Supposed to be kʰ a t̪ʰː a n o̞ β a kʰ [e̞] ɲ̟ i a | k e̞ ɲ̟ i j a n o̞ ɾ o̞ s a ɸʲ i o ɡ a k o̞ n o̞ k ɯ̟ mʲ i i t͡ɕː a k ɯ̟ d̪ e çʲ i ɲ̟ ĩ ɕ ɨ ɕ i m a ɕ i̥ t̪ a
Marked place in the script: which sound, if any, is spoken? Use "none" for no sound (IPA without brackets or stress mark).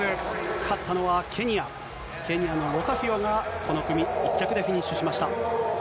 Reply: e̞